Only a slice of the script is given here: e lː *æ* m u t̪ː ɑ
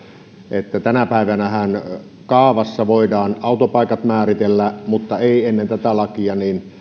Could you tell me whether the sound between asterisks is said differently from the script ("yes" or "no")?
no